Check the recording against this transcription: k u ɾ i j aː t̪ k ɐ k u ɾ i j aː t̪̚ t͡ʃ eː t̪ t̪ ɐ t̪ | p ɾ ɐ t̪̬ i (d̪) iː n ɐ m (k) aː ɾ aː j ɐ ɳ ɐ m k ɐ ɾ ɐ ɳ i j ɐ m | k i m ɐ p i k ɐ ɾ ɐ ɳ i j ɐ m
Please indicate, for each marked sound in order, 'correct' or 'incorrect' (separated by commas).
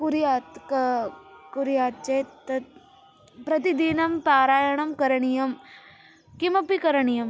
correct, incorrect